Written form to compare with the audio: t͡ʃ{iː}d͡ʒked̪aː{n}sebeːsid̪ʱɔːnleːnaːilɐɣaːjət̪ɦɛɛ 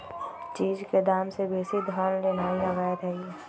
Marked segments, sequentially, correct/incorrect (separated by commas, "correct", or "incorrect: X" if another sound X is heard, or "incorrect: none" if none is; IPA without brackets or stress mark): correct, incorrect: m